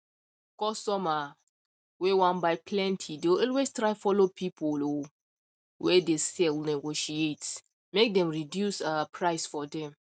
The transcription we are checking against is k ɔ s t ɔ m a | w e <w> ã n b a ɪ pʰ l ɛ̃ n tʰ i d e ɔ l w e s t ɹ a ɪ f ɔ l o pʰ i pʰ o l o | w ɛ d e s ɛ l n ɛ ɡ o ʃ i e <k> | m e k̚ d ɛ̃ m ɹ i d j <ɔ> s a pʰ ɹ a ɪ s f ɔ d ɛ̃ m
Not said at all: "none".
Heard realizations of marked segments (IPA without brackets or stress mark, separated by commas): w, t, u